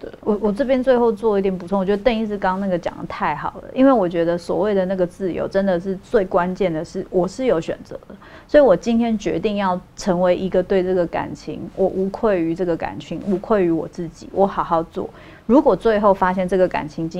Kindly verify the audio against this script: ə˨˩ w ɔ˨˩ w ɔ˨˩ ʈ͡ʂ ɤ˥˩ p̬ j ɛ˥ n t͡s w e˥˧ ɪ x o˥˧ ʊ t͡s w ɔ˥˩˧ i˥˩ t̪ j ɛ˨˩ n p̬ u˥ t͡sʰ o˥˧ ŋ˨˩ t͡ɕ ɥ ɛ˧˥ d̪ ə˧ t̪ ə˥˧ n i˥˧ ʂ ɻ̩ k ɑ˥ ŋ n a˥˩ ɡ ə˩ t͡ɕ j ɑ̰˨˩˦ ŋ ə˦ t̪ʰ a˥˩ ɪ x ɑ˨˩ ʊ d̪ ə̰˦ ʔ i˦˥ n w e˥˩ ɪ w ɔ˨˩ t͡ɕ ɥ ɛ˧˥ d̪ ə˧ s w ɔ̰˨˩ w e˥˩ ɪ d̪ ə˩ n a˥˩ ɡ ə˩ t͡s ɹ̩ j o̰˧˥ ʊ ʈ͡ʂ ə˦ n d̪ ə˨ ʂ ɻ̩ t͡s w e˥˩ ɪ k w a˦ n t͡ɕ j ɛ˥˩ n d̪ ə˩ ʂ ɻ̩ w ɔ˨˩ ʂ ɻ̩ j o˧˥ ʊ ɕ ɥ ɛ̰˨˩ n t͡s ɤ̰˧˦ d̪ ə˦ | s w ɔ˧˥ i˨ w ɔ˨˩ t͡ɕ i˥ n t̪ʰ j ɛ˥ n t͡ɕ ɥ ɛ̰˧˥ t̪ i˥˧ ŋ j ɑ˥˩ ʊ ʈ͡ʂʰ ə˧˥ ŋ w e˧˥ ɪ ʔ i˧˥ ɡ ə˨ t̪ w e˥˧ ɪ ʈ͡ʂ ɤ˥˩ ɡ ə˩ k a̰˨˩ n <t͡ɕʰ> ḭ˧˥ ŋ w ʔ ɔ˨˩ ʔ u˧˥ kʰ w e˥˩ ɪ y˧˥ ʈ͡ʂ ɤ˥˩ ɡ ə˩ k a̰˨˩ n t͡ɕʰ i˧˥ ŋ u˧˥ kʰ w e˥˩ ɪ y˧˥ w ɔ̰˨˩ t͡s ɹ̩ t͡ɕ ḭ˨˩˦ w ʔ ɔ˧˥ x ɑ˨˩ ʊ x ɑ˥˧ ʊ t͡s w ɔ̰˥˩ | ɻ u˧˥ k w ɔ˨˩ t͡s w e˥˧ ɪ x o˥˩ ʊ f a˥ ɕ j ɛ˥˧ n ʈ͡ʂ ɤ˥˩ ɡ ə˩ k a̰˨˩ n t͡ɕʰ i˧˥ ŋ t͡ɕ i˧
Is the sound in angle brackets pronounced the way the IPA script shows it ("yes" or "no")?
yes